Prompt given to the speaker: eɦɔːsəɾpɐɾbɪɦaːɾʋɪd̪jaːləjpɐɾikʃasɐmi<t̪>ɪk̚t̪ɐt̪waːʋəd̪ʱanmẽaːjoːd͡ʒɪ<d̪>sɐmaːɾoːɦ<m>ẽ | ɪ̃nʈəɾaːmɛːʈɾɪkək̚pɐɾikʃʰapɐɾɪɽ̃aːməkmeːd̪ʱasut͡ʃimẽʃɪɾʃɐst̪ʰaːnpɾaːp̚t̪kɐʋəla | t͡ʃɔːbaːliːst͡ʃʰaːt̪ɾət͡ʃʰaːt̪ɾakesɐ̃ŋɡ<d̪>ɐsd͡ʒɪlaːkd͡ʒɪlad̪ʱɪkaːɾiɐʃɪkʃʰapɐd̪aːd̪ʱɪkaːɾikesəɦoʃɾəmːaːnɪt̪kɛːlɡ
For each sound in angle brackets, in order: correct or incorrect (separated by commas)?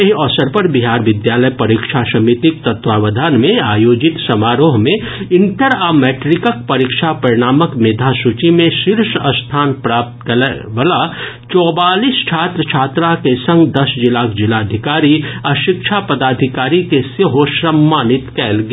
correct, incorrect, correct, correct